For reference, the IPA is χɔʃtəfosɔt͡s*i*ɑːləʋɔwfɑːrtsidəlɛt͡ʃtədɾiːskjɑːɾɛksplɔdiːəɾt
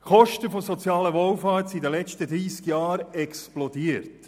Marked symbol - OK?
no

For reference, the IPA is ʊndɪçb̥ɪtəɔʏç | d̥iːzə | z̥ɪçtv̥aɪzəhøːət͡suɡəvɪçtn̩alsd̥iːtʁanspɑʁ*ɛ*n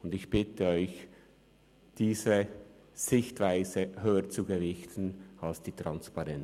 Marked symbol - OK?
yes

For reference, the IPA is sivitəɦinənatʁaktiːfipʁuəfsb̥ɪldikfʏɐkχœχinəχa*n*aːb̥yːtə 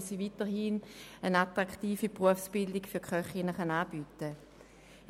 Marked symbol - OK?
yes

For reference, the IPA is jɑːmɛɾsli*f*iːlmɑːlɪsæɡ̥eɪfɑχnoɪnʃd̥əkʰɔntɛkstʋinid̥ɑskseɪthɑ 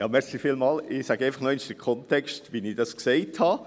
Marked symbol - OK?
yes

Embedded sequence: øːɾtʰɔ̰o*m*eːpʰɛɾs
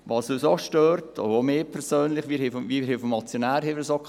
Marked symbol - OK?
yes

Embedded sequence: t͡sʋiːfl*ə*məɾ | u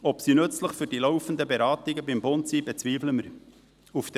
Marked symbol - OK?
yes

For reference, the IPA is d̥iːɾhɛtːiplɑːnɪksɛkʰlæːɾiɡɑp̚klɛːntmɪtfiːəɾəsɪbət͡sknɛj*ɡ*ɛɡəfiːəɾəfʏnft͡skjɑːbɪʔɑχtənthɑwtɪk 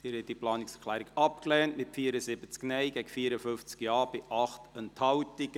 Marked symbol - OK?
yes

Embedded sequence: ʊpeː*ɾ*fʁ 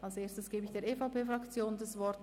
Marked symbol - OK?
no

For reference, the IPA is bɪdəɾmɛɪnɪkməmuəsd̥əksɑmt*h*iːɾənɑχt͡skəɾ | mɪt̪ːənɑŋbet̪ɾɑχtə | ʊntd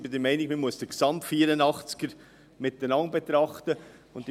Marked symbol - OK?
no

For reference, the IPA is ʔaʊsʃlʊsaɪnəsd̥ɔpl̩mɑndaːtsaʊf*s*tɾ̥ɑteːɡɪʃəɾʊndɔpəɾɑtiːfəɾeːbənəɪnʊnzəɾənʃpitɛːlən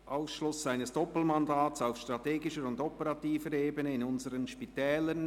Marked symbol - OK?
no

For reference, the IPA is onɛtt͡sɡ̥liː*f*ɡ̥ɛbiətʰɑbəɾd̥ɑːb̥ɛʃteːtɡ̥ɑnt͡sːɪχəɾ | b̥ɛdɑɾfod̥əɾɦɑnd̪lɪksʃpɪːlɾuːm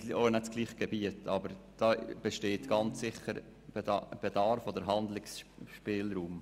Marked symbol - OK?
no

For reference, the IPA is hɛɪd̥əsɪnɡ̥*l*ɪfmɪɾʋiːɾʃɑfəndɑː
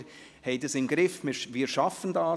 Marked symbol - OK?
no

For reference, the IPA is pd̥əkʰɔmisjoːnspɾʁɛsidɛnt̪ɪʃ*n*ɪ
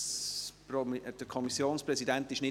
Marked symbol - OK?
yes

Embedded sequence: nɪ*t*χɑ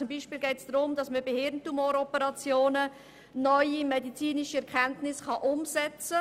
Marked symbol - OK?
no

